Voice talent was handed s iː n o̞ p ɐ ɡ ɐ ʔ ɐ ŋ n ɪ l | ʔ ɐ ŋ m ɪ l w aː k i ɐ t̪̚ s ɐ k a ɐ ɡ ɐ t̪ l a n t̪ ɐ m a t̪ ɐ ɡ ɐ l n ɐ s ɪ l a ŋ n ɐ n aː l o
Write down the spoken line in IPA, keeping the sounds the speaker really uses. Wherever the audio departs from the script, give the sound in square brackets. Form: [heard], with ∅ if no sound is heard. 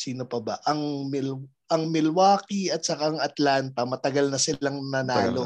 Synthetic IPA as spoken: s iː n o̞ p ɐ [b] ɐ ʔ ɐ ŋ [m] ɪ l | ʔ ɐ ŋ m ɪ l w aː k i ɐ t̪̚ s ɐ k a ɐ [ŋ] ɐ t̪ l a n t̪ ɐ m [ɐ] t̪ ɐ ɡ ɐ l n ɐ s ɪ l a ŋ n ɐ n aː l o